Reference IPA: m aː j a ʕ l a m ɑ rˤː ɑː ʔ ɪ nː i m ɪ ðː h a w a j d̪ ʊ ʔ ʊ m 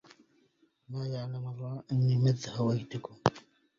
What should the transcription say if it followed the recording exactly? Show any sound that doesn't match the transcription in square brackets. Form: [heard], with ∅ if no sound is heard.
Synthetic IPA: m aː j a ʕ l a m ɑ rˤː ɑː ʔ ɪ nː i m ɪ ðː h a w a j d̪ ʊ [k] ʊ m